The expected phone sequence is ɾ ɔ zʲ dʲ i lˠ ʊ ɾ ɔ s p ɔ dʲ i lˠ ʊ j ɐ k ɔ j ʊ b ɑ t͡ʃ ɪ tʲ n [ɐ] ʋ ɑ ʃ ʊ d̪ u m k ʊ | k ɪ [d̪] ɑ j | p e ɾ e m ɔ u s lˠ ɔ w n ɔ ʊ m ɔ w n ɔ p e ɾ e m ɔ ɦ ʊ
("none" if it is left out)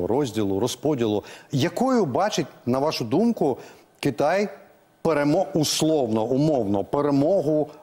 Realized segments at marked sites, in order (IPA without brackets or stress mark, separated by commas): ɐ, t̪